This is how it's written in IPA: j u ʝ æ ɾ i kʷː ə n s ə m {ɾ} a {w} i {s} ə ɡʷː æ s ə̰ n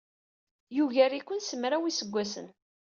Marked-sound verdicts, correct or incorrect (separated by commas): correct, correct, correct